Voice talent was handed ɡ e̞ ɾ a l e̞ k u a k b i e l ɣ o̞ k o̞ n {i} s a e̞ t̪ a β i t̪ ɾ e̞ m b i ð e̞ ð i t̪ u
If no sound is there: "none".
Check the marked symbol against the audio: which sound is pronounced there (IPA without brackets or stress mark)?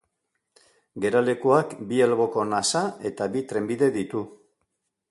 a